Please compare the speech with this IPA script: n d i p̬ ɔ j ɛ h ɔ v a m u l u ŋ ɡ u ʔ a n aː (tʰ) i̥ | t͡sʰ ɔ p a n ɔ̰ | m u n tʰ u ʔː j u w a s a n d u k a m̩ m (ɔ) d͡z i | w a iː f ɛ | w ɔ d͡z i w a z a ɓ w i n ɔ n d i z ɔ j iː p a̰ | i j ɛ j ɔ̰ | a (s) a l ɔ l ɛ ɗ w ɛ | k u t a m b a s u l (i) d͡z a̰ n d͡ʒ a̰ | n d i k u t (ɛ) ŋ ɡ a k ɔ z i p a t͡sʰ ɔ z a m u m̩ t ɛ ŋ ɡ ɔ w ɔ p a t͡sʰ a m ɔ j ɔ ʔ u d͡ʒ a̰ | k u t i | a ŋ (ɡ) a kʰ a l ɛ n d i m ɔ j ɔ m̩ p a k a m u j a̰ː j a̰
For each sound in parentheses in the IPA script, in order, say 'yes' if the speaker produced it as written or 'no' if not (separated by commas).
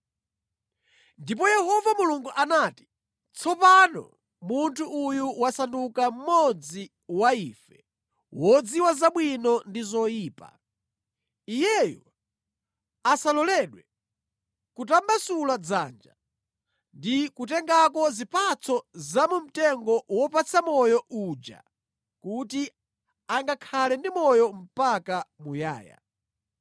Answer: no, yes, yes, no, yes, yes